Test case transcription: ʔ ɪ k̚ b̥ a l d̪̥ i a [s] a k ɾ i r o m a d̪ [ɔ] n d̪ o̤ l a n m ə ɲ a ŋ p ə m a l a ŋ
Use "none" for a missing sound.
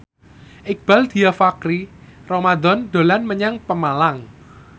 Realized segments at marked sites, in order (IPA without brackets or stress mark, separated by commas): f, ɔ